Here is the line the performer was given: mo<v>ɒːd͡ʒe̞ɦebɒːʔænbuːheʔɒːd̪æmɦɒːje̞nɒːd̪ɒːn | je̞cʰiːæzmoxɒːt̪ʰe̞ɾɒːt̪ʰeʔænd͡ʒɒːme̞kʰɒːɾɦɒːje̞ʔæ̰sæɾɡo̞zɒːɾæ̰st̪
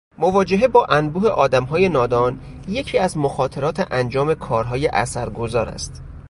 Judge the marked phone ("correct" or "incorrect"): correct